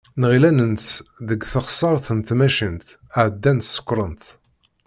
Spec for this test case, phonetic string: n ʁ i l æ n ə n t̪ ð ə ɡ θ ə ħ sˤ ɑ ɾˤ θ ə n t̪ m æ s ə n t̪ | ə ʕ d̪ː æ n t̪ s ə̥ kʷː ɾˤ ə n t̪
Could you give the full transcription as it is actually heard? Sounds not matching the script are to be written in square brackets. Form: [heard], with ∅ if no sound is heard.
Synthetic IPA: n ʁ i l æ n ə n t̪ ð ə ɡ θ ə [χ] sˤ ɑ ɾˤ θ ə n t̪ m æ [ʃ] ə n t̪ | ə ʕ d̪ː æ n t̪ s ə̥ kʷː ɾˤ ə n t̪